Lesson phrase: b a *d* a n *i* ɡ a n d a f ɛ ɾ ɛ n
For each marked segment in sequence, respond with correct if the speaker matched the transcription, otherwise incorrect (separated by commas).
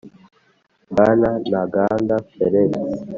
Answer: incorrect, incorrect